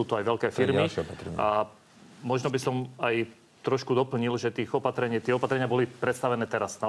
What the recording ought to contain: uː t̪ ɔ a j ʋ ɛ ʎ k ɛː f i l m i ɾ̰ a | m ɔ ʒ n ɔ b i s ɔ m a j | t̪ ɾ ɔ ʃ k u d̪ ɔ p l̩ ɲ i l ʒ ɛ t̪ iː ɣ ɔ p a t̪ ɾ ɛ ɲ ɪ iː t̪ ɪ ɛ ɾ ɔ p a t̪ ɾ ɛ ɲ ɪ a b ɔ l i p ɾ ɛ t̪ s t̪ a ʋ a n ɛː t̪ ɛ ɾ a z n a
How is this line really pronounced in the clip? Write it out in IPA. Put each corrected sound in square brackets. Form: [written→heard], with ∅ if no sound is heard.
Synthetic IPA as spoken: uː t̪ ɔ a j ʋ ɛ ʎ k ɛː f i [l→ɾ] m i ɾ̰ a | m ɔ ʒ n ɔ b i s ɔ m a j | t̪ ɾ ɔ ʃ k u d̪ ɔ p l̩ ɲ i l ʒ ɛ t̪ iː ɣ ɔ p a t̪ ɾ ɛ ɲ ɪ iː t̪ ɪ ɛ [ɾ→∅] ɔ p a t̪ ɾ ɛ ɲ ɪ a b ɔ l i p ɾ ɛ t̪ s t̪ a ʋ [a→ɛ] n ɛː t̪ ɛ ɾ a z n a